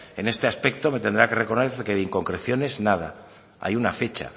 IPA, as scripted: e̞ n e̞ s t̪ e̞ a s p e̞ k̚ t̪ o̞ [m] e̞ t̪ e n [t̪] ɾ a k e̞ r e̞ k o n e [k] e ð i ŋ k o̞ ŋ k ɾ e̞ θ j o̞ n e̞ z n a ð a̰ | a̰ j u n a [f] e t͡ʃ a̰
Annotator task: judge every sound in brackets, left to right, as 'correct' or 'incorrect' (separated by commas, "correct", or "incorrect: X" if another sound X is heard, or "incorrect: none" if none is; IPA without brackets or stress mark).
correct, incorrect: d̪, correct, correct